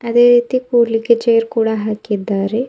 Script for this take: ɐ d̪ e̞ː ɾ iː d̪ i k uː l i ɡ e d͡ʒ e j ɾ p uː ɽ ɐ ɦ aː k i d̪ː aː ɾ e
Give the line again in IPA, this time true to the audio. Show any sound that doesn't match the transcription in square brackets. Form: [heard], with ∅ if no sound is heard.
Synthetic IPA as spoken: ɐ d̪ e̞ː ɾ iː [t̪] i k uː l i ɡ e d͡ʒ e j ɾ [k] uː ɽ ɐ ɦ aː k i d̪ː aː ɾ e